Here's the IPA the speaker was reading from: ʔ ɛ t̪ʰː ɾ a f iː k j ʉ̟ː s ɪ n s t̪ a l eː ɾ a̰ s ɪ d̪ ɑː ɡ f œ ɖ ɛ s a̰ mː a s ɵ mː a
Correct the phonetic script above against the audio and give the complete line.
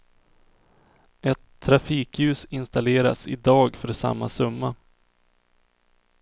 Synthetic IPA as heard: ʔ ɛ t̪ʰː ɾ a f iː k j ʉ̟ː s ɪ n s t̪ a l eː ɾ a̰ s ɪ d̪ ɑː ɡ f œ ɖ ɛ s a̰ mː a s ɵ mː a